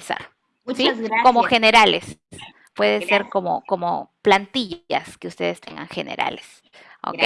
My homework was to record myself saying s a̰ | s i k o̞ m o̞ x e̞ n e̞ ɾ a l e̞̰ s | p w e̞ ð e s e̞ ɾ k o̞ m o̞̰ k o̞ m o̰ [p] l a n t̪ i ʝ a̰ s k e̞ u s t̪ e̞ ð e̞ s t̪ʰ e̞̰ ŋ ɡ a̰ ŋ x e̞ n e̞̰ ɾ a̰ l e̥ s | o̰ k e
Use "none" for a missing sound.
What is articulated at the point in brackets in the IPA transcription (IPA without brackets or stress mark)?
p